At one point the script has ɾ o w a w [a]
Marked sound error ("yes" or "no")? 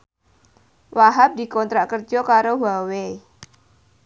yes